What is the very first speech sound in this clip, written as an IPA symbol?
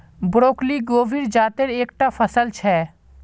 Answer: b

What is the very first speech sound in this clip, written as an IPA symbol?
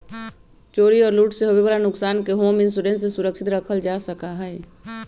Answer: t͡ʃ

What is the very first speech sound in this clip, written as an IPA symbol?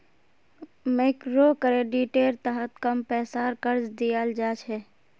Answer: m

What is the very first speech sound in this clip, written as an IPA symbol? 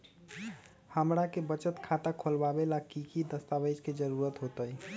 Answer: h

